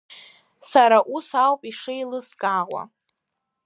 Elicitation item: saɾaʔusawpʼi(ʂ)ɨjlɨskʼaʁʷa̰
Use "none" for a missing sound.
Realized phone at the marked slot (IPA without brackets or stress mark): ʂ